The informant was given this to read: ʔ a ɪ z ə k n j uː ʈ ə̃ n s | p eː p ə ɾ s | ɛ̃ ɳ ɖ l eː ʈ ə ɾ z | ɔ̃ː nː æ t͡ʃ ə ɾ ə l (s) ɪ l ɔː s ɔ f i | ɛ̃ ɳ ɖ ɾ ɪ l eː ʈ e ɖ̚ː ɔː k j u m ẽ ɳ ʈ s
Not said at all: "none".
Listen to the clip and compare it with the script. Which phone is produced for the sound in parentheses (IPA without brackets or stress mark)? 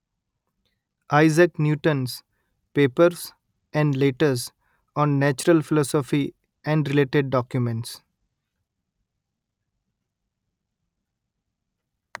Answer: f